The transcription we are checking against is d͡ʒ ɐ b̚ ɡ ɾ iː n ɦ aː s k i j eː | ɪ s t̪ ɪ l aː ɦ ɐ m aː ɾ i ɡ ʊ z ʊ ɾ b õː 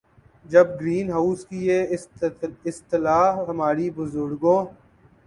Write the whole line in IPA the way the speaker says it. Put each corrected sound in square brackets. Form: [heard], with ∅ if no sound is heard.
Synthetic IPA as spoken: d͡ʒ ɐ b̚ ɡ ɾ iː n ɦ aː s k i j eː | ɪ s t̪ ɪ l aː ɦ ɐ m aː ɾ i [b] ʊ z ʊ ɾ [ɡ] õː

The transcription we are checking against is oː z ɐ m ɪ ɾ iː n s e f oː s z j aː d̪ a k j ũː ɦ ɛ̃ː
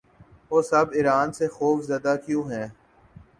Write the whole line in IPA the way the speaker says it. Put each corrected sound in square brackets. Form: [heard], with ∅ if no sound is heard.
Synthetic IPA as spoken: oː [s] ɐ [b] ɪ ɾ [aː] n s e [x] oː [f] z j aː d̪ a k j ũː ɦ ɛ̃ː

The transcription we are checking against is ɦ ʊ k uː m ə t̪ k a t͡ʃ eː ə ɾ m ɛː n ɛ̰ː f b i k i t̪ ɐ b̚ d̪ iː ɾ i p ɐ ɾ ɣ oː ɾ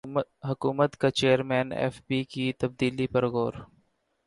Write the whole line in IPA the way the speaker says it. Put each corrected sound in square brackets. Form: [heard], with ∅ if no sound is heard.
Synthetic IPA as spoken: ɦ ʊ k uː m ə t̪ k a t͡ʃ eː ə ɾ m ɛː n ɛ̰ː f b i k i t̪ ɐ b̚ d̪ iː [l] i p ɐ ɾ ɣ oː ɾ

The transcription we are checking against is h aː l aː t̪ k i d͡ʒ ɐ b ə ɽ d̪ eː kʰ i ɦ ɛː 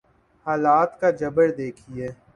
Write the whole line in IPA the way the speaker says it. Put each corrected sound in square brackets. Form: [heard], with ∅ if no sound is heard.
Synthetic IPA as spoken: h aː l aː t̪ k [a] d͡ʒ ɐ b ə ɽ d̪ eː kʰ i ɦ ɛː

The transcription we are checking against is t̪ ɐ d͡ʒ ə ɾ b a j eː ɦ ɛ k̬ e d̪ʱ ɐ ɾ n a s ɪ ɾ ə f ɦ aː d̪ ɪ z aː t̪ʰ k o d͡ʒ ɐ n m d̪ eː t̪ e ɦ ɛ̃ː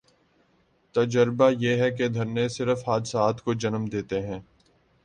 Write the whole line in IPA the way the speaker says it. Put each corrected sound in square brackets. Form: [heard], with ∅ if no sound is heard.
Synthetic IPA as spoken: t̪ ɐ d͡ʒ ə ɾ b a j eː ɦ ɛ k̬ e d̪ʱ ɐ ɾ n [e] s ɪ ɾ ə f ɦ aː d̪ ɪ [s] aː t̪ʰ k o d͡ʒ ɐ n m d̪ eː t̪ e ɦ ɛ̃ː

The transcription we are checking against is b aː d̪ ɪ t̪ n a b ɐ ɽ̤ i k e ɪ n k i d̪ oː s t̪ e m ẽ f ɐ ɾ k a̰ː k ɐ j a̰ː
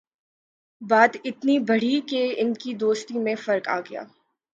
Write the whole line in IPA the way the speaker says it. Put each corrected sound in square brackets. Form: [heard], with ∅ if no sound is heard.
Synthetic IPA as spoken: b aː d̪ ɪ t̪ n [i] b ɐ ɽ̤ i k e ɪ n k i d̪ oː s t̪ [i] m ẽ f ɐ ɾ k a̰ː [ɡ] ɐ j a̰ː

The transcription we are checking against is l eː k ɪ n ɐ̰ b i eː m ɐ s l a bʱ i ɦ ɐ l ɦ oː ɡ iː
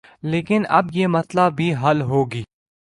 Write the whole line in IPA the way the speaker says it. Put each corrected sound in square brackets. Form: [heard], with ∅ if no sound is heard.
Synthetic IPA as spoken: l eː k ɪ n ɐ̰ b [j] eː m ɐ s l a bʱ i ɦ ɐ l ɦ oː ɡ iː

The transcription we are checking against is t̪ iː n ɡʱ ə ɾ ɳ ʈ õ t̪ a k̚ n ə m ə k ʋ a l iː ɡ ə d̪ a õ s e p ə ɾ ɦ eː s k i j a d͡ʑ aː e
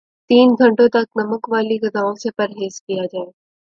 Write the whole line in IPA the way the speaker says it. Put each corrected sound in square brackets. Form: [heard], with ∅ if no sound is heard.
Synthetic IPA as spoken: t̪ iː n ɡʱ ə [∅] ɳ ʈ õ t̪ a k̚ n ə m ə k ʋ a l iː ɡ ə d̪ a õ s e p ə ɾ ɦ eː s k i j a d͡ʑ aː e

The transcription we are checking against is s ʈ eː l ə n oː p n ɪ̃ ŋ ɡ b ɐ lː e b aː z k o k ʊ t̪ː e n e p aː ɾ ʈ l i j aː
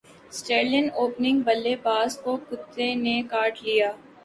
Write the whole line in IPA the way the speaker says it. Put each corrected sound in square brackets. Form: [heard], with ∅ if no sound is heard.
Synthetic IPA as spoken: s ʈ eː l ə n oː p n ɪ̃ ŋ ɡ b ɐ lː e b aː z k o k ʊ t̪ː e n e [k] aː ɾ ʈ l i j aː

